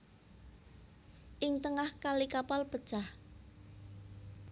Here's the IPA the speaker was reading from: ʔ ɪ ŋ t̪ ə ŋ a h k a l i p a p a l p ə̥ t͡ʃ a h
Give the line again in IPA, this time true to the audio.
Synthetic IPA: ʔ ɪ ŋ t̪ ə ŋ a h k a l i k a p a l p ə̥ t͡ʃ a h